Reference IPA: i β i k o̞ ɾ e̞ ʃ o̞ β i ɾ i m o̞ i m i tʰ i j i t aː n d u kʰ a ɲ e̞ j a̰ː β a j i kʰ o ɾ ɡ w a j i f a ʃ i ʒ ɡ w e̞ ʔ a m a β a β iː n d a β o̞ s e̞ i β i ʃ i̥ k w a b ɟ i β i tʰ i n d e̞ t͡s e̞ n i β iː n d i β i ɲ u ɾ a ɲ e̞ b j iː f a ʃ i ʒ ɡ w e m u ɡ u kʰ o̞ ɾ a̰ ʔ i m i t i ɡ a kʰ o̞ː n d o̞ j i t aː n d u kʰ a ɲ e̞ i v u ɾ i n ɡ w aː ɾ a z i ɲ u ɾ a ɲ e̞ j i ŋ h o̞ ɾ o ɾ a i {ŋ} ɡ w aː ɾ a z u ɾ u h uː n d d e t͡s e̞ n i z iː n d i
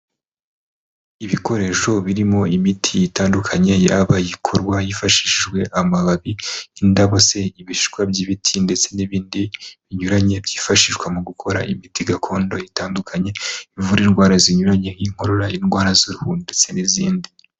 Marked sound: incorrect: n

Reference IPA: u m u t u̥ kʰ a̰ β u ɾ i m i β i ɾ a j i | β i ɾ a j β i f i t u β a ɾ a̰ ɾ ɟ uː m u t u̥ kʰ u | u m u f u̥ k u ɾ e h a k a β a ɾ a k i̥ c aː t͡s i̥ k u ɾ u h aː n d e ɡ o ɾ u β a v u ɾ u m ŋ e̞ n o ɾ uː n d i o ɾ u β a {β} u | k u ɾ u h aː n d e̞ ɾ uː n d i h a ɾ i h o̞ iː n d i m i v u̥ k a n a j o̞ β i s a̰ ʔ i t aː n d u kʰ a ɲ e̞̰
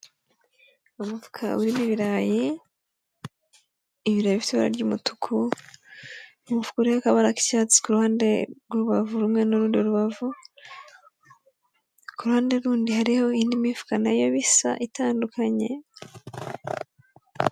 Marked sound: incorrect: v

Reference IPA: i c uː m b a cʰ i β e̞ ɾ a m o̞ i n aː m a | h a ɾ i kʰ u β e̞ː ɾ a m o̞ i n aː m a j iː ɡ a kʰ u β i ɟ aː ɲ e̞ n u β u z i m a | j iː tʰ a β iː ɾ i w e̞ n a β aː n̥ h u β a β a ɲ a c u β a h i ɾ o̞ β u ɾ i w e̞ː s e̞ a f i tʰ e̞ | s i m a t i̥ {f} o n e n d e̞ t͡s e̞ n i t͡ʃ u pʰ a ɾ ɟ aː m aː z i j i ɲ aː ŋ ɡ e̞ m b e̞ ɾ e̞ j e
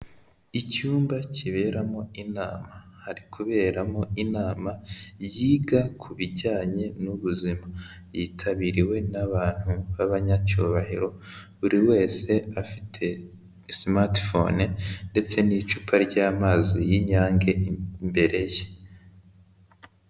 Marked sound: correct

